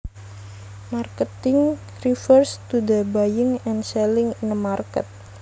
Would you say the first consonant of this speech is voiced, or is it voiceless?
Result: voiced